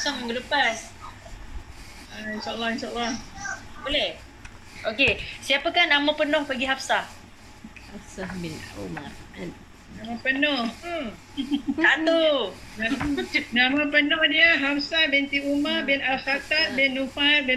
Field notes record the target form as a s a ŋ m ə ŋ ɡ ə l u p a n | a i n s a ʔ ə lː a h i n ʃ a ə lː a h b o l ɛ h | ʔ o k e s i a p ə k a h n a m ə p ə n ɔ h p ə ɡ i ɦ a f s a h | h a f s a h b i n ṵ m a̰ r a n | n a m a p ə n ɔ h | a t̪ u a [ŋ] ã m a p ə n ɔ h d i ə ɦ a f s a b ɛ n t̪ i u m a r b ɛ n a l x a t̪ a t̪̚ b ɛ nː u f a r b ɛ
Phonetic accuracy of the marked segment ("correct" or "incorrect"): incorrect